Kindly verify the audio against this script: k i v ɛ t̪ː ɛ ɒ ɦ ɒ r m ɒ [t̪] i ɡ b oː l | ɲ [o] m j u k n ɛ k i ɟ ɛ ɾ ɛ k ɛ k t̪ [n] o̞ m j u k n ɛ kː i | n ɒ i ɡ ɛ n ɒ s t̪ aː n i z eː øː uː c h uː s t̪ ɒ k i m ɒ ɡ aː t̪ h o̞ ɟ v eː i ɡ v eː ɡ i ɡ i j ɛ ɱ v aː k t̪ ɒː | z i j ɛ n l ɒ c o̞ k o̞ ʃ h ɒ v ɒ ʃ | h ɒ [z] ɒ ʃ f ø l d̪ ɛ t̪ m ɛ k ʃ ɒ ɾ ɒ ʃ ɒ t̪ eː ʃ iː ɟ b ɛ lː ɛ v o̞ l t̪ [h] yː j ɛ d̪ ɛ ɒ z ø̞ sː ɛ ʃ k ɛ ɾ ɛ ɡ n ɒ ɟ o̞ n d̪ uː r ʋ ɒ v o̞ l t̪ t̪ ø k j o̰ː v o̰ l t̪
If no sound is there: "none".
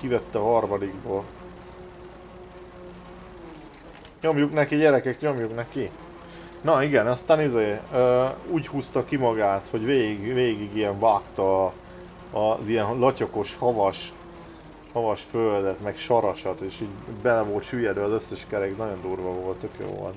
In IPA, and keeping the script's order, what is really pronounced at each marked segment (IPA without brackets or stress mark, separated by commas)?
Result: d̪, o, ɲ, v, ʃ